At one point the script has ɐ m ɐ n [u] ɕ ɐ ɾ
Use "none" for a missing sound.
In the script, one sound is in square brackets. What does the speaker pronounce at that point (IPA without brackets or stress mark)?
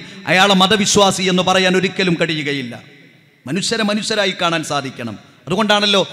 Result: u